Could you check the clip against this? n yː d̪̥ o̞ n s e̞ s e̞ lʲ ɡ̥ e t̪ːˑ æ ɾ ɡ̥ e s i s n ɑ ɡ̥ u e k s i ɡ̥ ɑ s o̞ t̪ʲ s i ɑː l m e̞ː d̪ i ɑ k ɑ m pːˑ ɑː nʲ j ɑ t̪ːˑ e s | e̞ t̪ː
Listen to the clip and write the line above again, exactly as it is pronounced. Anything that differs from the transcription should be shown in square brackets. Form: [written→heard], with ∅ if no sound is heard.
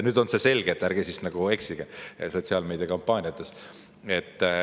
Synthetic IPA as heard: n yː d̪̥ o̞ n s e̞ s e̞ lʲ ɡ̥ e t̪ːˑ æ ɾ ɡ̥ e s i s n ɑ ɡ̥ u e k s i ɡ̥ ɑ s o̞ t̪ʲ s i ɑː l m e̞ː d̪ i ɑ k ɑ m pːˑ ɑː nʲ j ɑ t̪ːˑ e s | e̞ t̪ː

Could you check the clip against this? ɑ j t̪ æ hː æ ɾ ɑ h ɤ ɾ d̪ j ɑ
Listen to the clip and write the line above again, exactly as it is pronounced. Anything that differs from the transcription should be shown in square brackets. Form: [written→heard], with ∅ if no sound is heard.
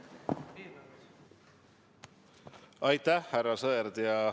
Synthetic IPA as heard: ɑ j t̪ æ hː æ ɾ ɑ [h→s] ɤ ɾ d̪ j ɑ

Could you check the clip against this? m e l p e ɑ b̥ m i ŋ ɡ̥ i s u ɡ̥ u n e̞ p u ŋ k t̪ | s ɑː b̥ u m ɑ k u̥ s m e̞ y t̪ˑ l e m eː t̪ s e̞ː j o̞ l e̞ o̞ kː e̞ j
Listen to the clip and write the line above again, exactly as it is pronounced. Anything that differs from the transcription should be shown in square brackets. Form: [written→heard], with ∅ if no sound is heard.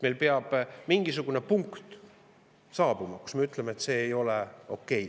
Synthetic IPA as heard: m e l p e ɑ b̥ m i ŋ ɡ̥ i s u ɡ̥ u n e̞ p u ŋ k t̪ | s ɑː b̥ u m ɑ k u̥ s m e̞ y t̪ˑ l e m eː t̪ s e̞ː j o̞ l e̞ o̞ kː e̞ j

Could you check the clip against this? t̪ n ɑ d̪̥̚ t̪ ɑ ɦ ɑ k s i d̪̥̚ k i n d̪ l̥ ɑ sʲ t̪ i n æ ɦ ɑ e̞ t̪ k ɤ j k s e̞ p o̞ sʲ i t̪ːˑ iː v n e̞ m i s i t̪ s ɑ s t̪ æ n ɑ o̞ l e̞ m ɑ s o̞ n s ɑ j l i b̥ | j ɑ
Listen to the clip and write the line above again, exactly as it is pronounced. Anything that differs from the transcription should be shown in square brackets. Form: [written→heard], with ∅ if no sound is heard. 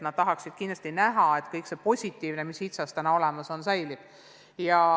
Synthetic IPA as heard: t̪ n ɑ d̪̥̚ t̪ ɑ ɦ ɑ k s i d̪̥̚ k i n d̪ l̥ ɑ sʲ t̪ i n æ ɦ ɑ e̞ t̪ k ɤ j k s e̞ p o̞ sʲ i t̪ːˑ iː v n e̞ m i s i t̪ s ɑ s t̪ æ n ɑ o̞ l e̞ m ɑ s o̞ n s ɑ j l i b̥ | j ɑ

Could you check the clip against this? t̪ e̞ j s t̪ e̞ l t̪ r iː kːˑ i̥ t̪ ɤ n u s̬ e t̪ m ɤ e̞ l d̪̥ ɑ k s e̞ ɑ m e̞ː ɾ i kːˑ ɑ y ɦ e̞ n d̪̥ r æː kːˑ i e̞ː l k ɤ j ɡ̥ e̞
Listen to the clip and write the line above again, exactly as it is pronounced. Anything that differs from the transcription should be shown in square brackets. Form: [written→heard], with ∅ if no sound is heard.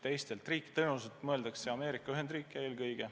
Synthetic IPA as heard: t̪ e̞ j s t̪ e̞ l t̪ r iː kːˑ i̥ t̪ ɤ n u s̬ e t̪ m ɤ e̞ l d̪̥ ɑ k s e̞ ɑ m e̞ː ɾ i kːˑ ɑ y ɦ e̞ n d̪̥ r [æː→iː] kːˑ [i→e] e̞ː l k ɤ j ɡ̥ e̞

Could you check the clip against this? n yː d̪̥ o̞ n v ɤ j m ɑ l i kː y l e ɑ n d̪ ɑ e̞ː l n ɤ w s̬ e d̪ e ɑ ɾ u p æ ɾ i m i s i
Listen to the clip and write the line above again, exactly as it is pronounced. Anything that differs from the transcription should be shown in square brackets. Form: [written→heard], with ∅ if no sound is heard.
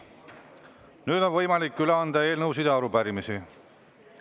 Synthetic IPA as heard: n yː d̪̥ o̞ n v ɤ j m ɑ l i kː y l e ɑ n d̪ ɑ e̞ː l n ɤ w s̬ [e→i] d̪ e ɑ ɾ u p æ ɾ i m i s i

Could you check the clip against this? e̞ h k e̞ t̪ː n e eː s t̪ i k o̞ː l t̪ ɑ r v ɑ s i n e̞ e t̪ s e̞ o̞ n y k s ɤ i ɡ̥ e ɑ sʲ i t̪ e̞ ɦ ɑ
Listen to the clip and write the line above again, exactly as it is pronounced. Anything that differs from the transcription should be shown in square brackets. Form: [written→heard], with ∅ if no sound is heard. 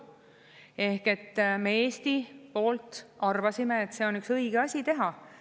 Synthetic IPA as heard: e̞ h k e̞ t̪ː [n→m] e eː s t̪ i [k→p] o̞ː l t̪ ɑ r v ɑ s i [n→m] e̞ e t̪ s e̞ o̞ n y k s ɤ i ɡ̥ e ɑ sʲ i t̪ e̞ ɦ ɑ

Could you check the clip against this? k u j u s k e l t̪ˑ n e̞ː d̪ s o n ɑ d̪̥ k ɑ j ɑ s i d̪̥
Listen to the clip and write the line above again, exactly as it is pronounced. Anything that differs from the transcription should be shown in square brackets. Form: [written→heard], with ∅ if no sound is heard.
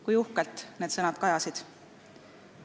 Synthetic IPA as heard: k u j u [s→h] k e l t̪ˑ n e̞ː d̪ s [o→ɤ] n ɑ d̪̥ k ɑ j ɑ s i d̪̥

